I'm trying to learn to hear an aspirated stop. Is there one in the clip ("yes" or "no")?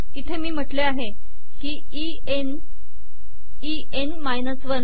yes